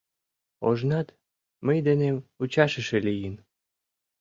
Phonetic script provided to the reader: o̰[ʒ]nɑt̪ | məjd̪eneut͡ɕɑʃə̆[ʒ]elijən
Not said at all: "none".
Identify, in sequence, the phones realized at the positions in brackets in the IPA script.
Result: ʒ, ʃ

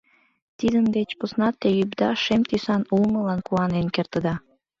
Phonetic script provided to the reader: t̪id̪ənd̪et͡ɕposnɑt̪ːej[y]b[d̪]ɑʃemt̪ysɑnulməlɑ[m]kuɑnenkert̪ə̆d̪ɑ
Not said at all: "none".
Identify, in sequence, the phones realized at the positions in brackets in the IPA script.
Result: y, d̪, n

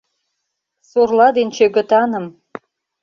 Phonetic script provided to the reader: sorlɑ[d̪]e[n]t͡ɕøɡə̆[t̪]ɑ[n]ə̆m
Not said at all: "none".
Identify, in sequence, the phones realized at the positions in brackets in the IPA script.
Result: d̪, n, t̪, n

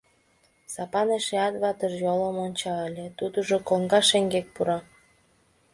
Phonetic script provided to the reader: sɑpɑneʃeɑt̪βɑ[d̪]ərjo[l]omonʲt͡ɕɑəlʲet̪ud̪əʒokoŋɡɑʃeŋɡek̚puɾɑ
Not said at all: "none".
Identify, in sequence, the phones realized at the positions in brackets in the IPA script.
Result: t̪, l

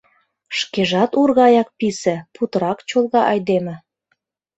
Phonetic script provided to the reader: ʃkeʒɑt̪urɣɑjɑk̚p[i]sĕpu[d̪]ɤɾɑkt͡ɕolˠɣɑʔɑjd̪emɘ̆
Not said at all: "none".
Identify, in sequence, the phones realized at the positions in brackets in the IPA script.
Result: i, t̪

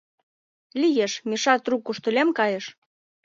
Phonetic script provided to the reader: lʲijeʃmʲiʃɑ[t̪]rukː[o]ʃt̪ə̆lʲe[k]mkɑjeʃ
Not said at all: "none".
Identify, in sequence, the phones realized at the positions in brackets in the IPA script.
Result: t̪, u, none

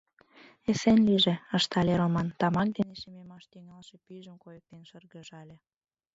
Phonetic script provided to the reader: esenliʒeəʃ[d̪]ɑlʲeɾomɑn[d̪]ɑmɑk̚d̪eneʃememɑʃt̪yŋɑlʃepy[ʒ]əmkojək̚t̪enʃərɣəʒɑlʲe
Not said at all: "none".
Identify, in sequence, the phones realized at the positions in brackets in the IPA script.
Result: t̪, t̪, ʒ

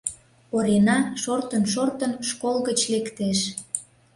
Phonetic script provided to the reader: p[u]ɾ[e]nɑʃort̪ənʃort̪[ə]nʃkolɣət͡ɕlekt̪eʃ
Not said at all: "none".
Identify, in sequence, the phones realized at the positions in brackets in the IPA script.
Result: o, e, ə

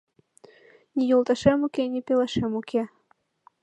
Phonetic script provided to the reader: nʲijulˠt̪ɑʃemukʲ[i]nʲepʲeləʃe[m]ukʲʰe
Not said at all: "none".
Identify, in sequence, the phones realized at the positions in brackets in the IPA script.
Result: e, m

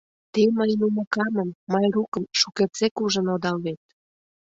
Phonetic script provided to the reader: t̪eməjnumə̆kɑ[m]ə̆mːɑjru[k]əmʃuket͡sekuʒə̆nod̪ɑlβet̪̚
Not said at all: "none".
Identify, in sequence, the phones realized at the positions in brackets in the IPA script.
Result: m, k

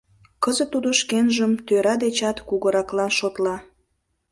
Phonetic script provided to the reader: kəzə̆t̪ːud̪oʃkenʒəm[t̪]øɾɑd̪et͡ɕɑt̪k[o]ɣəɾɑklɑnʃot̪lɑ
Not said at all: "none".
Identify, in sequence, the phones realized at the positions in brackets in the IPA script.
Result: t̪, u

